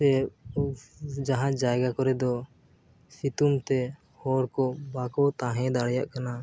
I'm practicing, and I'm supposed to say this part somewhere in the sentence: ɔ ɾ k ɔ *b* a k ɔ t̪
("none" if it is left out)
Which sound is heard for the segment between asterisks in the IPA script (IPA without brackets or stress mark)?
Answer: b